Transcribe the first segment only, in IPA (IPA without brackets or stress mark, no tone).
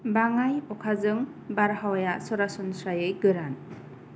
b